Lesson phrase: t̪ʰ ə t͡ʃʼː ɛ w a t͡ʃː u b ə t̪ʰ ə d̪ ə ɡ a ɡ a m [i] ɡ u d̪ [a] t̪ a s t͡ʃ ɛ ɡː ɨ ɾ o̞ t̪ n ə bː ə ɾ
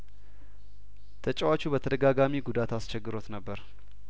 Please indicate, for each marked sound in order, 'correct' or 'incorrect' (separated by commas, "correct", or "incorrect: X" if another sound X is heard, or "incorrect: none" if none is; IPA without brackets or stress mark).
correct, correct